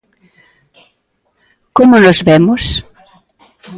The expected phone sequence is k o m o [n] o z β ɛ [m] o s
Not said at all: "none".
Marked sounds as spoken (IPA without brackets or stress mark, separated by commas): n, m